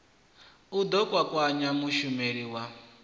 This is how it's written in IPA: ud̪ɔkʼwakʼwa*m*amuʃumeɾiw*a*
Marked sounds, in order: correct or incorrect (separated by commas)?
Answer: incorrect, correct